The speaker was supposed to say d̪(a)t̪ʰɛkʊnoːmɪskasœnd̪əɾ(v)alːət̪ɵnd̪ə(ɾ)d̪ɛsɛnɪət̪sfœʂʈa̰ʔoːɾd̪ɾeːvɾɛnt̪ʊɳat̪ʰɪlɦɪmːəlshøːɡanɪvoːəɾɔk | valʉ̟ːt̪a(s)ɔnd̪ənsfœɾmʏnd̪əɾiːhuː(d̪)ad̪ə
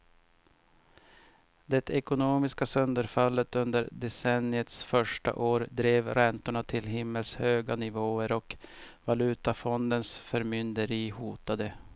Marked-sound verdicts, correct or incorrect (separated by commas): incorrect, incorrect, correct, incorrect, incorrect